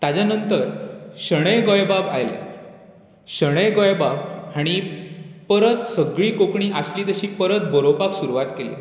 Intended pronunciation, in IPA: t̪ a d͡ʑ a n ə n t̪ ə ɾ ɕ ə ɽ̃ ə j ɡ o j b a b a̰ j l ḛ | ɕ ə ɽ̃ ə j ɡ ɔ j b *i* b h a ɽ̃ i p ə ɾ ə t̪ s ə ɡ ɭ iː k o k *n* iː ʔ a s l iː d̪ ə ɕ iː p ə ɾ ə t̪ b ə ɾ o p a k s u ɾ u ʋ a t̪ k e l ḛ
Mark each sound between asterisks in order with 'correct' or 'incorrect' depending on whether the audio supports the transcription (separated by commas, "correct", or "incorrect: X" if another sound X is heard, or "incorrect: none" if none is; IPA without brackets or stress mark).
incorrect: a, incorrect: ɳ